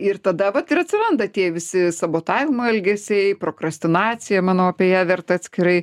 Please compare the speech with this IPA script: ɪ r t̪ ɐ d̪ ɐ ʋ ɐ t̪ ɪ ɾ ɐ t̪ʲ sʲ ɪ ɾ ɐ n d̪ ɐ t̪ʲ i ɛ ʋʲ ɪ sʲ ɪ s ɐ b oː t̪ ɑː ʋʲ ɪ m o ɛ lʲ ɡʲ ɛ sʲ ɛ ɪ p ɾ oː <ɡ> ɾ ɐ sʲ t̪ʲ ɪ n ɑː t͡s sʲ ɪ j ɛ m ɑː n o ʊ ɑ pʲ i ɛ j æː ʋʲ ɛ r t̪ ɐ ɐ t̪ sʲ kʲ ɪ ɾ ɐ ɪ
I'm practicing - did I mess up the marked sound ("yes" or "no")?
yes